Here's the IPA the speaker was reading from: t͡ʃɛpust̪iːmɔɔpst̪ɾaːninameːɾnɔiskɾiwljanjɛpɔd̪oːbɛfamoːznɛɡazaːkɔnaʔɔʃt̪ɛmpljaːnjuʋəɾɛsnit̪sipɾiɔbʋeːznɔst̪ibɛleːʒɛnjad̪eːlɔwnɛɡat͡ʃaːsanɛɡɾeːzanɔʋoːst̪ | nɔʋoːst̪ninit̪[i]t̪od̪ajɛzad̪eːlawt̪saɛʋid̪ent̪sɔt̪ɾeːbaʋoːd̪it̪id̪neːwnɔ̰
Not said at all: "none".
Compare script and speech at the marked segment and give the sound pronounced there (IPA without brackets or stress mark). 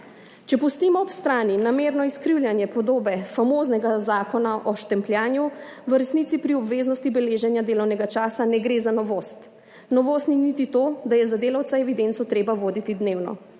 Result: i